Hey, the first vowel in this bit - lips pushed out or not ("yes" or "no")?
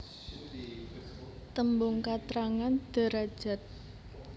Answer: no